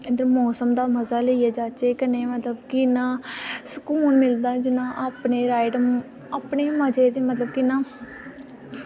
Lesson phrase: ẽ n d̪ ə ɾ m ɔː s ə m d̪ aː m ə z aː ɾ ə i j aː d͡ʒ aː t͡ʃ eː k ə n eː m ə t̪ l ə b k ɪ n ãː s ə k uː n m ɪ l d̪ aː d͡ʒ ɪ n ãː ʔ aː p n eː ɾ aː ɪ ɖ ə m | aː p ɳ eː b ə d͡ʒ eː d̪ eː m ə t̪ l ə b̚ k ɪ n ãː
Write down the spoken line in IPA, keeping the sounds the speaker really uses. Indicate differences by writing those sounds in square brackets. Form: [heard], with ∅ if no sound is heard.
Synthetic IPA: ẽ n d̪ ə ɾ m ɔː s ə m d̪ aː m ə z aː [l] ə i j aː d͡ʒ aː t͡ʃ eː k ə n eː m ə t̪ l ə b k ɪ n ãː s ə k uː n m ɪ l d̪ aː d͡ʒ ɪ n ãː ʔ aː p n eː ɾ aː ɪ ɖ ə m | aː p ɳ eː [m] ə d͡ʒ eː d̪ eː m ə t̪ l ə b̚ k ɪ n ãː